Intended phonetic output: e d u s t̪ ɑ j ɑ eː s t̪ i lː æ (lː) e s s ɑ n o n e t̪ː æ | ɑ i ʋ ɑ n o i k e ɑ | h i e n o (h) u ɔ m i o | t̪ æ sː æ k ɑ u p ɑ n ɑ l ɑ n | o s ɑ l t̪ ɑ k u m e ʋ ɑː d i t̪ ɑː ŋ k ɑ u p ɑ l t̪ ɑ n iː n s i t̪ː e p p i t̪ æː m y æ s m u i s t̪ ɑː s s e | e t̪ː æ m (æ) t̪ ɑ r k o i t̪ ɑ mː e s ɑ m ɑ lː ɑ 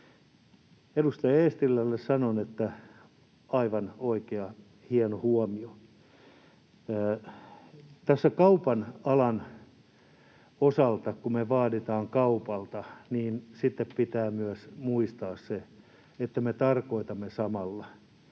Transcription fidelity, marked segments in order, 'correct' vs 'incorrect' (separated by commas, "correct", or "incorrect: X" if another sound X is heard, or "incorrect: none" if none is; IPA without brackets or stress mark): correct, correct, incorrect: e